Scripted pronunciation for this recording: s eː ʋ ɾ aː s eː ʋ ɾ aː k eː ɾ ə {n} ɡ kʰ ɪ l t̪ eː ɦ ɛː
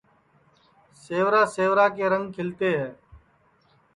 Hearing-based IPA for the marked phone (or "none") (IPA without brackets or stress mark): ŋ